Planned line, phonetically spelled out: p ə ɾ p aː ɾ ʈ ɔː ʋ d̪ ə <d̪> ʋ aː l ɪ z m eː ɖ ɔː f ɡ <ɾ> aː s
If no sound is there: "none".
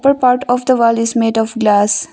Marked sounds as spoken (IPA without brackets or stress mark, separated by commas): none, l